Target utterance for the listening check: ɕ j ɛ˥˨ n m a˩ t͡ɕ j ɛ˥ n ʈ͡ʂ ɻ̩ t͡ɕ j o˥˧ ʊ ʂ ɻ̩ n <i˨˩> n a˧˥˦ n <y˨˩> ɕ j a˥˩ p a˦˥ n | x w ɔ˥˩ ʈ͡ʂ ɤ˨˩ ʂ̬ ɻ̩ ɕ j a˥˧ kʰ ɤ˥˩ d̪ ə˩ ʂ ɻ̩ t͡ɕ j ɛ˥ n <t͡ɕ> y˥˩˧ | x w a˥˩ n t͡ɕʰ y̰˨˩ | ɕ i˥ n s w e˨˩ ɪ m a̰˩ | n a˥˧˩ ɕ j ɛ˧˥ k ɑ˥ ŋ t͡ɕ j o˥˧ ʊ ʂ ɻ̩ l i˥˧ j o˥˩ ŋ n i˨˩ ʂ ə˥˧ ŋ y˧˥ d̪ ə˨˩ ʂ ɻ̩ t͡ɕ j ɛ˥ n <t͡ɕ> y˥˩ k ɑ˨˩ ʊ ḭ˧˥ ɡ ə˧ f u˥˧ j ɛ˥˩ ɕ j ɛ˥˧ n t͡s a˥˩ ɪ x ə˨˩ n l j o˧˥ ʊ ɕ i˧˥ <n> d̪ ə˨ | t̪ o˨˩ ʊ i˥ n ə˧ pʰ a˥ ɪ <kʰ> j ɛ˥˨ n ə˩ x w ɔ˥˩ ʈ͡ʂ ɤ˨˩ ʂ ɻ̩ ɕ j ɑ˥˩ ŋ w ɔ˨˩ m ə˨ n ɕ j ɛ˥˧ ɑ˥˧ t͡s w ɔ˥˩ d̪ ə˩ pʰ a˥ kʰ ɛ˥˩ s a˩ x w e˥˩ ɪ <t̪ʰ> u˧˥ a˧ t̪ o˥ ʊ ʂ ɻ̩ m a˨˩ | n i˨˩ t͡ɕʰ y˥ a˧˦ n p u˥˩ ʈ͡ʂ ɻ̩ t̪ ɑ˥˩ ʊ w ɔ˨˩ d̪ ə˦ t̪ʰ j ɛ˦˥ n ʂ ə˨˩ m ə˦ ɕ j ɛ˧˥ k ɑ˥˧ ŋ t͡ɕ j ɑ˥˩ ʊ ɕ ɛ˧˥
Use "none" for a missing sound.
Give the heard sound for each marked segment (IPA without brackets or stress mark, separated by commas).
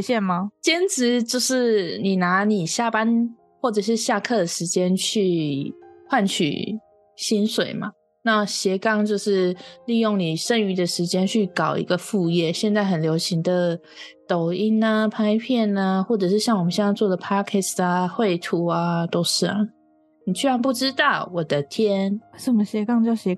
i˨˩, i˨˩, t͡ɕʰ, t͡ɕʰ, ŋ, pʰ, t̪ʰ